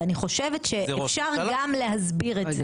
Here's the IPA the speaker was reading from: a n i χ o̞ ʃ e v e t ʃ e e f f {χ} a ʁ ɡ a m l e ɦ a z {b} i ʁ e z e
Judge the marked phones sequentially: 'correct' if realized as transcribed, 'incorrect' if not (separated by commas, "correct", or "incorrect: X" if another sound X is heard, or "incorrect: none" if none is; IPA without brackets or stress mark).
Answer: incorrect: ʃ, correct